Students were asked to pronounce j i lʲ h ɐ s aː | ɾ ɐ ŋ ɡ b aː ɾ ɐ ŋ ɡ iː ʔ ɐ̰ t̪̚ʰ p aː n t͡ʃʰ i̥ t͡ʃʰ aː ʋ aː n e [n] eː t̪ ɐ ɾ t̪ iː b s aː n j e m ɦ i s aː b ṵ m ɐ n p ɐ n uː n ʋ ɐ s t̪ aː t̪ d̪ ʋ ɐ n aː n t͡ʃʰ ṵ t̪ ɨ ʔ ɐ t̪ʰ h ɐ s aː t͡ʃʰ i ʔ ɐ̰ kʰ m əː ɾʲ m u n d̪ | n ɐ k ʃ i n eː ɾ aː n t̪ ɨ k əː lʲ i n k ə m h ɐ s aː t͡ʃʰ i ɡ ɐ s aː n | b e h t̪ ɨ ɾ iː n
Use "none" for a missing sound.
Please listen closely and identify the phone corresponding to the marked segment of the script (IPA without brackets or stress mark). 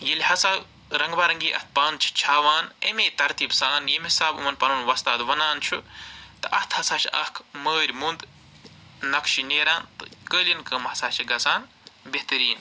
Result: m